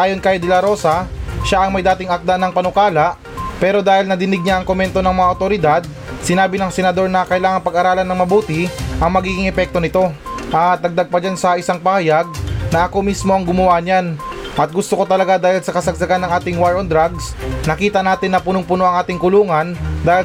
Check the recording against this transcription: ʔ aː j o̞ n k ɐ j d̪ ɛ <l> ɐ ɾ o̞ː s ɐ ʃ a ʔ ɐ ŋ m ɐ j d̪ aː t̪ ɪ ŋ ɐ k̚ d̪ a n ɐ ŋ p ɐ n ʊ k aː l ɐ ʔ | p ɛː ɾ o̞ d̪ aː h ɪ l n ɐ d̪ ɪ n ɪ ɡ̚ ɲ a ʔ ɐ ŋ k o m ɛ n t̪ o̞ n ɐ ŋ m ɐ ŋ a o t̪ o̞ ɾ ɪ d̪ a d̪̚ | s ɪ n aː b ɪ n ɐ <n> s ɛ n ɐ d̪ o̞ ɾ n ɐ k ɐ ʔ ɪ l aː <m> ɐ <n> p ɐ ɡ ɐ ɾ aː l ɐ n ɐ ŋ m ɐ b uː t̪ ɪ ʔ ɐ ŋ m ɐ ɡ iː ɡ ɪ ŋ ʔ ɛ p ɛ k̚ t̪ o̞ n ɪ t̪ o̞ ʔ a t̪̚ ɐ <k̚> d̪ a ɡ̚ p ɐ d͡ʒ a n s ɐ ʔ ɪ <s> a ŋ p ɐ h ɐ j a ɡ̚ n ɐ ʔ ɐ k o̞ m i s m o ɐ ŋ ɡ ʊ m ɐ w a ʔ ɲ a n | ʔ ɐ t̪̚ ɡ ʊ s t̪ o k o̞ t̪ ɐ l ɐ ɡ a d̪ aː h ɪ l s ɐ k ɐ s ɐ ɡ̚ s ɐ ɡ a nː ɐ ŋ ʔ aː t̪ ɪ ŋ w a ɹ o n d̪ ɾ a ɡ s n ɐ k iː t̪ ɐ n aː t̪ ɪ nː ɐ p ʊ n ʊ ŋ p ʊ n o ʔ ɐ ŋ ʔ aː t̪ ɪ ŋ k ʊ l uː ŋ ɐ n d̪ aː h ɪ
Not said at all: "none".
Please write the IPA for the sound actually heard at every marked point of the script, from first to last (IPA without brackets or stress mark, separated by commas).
l, ŋ, ŋ, ŋ, ɡ̚, s